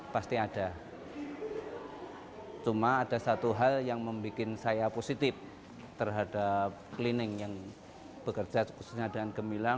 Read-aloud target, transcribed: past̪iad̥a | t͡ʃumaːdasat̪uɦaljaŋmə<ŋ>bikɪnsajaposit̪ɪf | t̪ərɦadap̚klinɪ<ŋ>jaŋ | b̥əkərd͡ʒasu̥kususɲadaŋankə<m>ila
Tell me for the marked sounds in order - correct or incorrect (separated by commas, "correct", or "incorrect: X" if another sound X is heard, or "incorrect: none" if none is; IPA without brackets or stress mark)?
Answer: incorrect: m, correct, correct